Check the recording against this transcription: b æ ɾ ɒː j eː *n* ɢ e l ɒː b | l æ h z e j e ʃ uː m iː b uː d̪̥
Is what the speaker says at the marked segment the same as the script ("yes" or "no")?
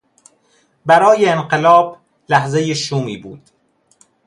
yes